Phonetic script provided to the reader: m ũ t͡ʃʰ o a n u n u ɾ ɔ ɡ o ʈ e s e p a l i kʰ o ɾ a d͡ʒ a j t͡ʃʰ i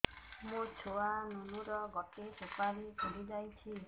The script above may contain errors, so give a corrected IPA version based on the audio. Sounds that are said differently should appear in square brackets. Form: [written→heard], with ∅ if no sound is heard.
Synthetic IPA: m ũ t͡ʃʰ o a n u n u ɾ ɔ ɡ [o→ɔ] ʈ e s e p a [l→ɾ] i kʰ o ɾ [a→i] d͡ʒ a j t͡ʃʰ i